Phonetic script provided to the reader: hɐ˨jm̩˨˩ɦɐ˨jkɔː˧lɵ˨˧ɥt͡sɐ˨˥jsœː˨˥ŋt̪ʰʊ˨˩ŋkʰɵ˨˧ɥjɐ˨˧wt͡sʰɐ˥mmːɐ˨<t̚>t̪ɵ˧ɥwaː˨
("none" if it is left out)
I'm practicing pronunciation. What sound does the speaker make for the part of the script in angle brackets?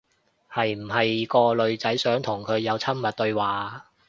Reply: t̚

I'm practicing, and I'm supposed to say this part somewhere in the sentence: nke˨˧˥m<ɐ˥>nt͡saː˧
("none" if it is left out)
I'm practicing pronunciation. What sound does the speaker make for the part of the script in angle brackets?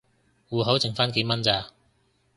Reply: ɐ˥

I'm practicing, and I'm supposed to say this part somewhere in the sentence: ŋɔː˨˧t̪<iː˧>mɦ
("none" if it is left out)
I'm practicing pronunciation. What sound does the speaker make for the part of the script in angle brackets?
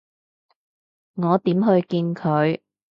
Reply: iː˨˥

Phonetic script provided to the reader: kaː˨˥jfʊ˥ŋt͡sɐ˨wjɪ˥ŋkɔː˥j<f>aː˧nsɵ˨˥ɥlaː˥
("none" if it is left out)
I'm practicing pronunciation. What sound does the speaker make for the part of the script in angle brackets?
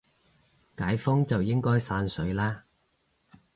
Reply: s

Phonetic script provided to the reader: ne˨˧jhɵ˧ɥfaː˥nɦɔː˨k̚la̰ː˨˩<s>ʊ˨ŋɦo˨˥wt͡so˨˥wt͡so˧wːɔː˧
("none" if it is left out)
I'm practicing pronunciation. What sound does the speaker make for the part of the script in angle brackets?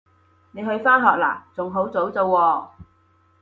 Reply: t͡s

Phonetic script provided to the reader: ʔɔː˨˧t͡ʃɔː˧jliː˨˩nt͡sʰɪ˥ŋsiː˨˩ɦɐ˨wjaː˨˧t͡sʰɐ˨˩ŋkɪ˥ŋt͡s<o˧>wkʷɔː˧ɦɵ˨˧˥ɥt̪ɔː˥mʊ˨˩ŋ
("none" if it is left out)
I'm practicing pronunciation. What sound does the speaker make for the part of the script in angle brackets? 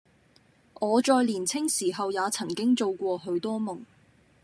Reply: o˧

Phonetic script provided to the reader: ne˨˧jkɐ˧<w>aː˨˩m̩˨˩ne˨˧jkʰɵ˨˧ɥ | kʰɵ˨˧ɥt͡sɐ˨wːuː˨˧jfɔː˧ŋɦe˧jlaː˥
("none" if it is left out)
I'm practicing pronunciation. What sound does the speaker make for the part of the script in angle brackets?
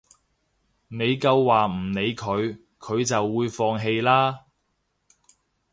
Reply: wː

